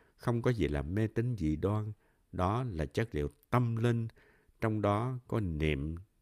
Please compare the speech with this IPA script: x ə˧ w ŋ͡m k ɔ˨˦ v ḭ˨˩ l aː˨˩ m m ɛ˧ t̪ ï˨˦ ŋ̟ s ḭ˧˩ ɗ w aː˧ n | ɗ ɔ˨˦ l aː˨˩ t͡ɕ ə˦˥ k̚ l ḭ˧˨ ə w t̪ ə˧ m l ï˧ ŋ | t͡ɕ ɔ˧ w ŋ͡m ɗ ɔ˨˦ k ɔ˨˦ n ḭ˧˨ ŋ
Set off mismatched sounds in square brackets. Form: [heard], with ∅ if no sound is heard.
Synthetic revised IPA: x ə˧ w ŋ͡m k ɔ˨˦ [z] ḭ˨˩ l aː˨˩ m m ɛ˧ t̪ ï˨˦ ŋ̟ [z] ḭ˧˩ ɗ w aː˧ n | ɗ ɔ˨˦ l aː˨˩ t͡ɕ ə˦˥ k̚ l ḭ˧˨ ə w t̪ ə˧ m l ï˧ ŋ | t͡ɕ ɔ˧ w ŋ͡m ɗ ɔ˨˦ k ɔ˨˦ n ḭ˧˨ [m]